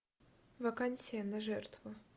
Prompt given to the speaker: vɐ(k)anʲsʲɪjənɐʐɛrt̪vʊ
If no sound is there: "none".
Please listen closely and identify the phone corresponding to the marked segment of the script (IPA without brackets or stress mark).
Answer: k